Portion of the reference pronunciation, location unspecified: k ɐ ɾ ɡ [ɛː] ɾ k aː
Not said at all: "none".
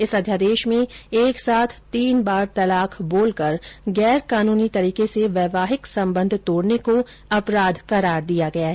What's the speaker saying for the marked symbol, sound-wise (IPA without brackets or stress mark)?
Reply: ɛː